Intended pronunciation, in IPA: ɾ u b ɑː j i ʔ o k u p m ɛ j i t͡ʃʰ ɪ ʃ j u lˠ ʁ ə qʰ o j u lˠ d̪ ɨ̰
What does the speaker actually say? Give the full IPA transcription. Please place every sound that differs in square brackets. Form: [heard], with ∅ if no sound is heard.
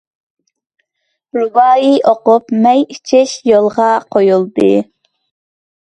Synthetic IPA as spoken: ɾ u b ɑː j i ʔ o [q] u p m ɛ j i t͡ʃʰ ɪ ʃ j [o] lˠ ʁ [ɑ] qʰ o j u lˠ d̪ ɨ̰